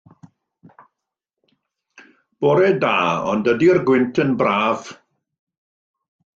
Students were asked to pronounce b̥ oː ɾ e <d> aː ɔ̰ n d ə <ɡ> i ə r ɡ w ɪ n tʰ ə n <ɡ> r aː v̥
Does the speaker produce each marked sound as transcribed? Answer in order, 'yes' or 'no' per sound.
yes, no, no

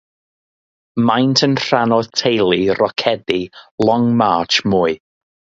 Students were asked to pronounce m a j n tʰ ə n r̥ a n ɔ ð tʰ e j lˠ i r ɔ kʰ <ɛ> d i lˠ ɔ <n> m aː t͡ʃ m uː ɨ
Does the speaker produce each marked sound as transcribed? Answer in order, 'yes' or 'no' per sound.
yes, no

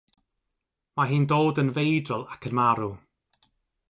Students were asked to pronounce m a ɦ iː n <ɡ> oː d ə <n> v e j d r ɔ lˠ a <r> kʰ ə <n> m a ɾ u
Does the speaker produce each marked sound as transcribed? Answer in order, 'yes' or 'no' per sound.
no, yes, no, yes

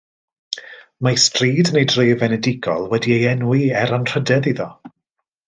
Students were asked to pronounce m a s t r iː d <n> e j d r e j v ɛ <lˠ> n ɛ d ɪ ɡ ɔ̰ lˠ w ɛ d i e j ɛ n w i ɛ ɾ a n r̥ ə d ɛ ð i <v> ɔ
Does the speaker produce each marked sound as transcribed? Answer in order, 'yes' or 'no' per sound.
yes, no, no

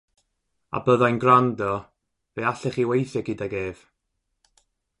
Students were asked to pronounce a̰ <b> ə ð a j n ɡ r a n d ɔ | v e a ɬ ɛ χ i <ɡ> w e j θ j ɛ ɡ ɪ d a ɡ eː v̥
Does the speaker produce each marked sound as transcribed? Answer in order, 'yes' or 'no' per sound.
yes, no

